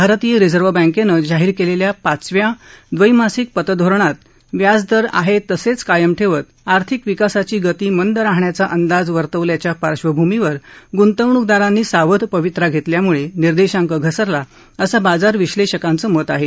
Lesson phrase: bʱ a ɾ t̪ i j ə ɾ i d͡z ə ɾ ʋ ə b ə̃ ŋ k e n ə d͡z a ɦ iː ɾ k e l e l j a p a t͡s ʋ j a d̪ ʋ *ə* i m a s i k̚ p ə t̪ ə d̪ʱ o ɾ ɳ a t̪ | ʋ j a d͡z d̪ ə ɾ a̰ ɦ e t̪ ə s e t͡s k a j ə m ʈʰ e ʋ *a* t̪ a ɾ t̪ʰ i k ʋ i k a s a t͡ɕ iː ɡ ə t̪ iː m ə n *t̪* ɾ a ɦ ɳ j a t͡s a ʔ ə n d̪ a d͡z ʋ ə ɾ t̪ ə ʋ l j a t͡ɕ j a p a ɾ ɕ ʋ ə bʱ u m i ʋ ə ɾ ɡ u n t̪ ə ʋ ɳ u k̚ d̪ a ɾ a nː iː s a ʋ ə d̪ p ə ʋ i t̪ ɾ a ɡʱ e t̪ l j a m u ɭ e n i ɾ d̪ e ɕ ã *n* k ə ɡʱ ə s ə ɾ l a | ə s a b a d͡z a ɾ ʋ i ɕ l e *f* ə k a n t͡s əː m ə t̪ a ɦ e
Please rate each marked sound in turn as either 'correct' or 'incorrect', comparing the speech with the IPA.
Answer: correct, incorrect, incorrect, incorrect, incorrect

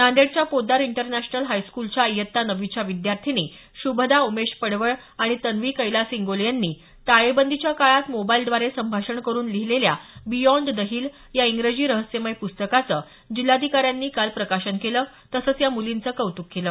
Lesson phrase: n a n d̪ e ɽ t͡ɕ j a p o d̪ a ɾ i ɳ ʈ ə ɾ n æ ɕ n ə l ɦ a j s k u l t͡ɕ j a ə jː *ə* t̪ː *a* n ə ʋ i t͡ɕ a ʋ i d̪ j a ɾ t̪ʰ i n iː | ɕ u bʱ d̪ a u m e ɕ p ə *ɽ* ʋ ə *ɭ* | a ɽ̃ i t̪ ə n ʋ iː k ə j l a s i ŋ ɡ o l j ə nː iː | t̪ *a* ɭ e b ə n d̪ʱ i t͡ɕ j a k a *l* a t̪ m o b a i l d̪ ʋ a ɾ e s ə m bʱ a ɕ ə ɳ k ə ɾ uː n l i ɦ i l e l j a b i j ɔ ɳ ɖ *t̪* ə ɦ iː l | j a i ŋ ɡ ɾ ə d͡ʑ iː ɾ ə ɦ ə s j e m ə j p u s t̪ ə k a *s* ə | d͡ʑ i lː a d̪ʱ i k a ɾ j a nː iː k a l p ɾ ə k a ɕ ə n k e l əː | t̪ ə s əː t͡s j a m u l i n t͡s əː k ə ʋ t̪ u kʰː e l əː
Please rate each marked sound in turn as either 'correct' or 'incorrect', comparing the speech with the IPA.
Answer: correct, correct, correct, correct, correct, incorrect, incorrect, incorrect

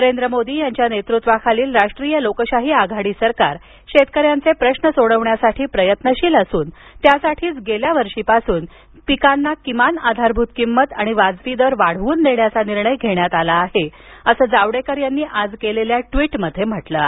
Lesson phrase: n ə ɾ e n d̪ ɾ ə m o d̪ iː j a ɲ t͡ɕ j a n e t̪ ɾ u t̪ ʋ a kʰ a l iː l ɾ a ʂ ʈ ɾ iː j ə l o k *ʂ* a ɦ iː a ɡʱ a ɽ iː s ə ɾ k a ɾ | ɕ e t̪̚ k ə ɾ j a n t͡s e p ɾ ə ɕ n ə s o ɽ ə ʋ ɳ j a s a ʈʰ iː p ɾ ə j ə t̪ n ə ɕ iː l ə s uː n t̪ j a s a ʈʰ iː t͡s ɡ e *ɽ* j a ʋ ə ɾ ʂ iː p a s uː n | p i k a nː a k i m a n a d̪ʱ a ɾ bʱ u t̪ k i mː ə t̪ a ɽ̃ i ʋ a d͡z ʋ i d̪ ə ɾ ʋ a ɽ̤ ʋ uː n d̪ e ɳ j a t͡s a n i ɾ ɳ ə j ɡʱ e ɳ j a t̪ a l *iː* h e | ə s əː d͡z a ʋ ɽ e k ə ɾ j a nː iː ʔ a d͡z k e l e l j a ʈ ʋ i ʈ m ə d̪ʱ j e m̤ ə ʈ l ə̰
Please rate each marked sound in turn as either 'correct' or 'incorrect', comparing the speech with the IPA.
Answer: incorrect, incorrect, incorrect

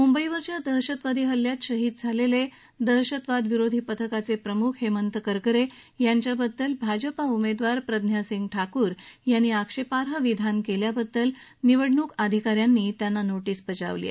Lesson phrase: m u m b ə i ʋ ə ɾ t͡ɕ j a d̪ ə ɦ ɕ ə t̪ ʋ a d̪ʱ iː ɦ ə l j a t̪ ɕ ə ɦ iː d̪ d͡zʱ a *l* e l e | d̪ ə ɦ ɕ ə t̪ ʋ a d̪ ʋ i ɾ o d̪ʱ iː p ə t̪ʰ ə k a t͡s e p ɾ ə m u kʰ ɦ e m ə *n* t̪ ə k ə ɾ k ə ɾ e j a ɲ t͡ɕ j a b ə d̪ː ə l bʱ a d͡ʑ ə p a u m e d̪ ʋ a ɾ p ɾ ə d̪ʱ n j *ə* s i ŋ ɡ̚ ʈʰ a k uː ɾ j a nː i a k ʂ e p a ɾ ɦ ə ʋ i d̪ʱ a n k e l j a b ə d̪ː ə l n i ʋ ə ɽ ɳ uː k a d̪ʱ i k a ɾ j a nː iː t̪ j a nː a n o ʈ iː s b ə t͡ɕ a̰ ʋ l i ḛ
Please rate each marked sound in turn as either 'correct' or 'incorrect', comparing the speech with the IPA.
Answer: correct, correct, incorrect

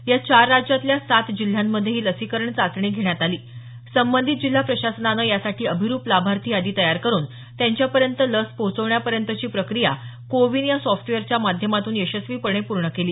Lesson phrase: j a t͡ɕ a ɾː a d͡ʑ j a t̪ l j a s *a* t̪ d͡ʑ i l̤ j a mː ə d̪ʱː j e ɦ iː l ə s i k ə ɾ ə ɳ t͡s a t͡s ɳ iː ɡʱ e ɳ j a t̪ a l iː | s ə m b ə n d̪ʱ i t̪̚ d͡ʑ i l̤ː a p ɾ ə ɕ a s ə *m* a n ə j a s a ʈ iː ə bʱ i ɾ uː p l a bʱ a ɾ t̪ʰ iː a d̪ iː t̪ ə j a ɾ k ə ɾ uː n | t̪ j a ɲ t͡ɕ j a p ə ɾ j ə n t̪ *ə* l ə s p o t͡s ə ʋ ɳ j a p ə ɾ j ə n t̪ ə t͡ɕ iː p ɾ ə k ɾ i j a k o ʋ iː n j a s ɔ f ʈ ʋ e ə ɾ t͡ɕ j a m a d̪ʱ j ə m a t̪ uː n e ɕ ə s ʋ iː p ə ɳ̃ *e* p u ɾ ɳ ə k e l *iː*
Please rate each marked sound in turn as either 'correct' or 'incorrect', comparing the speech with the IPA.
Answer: correct, incorrect, correct, correct, correct

